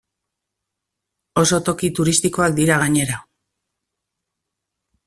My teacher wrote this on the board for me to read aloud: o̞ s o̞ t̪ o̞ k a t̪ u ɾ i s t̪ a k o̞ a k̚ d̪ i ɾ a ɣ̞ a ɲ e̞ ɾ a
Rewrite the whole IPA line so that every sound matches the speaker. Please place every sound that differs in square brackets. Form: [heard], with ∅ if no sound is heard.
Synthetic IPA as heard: o̞ s o̞ t̪ o̞ k [i] t̪ u ɾ i s t̪ [i] k o̞ a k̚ d̪ i ɾ a ɣ̞ a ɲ e̞ ɾ a